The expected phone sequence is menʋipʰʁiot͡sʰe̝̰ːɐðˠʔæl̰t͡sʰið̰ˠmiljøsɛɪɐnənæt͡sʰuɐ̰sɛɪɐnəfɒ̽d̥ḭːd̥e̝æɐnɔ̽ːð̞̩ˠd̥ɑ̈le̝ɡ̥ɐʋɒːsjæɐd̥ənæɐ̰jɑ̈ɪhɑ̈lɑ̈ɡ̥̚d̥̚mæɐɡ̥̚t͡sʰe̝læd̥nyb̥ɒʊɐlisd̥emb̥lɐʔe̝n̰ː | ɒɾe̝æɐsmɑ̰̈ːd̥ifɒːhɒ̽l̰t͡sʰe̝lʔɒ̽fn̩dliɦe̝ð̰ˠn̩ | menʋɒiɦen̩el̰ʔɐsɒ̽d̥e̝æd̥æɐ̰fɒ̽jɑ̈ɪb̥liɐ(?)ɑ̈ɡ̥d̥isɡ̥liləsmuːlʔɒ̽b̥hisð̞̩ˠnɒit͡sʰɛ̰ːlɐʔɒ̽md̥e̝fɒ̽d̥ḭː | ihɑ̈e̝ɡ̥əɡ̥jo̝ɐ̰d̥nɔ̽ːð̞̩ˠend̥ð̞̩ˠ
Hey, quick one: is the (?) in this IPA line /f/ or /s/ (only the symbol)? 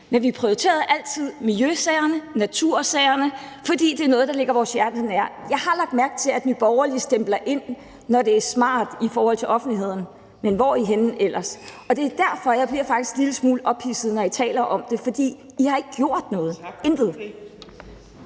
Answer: f